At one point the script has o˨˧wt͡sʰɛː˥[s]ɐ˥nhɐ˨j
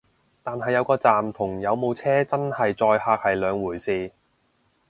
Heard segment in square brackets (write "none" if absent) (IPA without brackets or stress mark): t͡s